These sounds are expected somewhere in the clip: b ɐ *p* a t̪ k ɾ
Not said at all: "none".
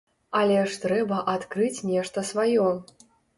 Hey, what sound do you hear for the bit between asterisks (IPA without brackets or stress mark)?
ʔ